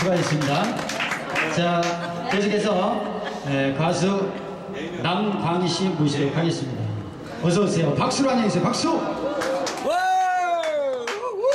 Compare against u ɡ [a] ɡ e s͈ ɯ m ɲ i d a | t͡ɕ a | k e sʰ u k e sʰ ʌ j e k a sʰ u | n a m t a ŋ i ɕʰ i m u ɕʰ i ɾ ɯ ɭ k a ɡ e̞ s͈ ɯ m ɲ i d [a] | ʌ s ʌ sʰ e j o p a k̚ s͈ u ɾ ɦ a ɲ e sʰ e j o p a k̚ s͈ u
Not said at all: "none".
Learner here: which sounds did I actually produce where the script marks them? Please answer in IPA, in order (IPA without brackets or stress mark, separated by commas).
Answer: a, a